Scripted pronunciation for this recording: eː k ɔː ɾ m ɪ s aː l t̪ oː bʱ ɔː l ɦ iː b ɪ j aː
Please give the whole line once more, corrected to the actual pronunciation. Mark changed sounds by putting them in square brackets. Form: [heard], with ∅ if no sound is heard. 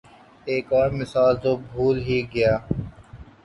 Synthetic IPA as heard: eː k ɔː ɾ m ɪ s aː l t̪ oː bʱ [uː] l ɦ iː [ɡ] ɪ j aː